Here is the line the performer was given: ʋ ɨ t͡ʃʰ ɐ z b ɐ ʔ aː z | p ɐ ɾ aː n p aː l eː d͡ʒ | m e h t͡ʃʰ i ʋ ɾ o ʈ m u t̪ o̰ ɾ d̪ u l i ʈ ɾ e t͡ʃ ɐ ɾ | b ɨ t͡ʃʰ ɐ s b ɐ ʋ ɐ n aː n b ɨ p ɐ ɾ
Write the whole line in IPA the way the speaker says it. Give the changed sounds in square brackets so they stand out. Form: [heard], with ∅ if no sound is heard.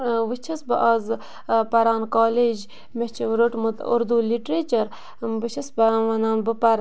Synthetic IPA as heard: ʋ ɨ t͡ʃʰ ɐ [s] b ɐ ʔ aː z | p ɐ ɾ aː n [k] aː l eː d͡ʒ | m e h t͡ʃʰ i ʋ ɾ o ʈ m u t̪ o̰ ɾ d̪ u l i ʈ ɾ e t͡ʃ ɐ ɾ | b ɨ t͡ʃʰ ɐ s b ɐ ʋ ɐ n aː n b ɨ p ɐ ɾ